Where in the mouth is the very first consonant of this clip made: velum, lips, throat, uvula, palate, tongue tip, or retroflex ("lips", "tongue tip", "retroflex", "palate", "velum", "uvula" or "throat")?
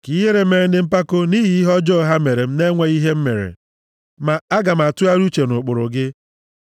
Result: velum